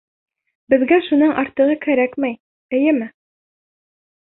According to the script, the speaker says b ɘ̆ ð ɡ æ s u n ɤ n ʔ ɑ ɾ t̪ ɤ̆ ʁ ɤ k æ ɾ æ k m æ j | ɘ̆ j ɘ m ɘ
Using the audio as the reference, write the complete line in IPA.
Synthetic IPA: b ɘ̆ ð ɡ æ ʃ u n ɤ ɴ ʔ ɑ ɾ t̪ ɤ̆ ʁ ɤ k æ ɾ æ k m æ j | ɘ̆ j ɘ m ɘ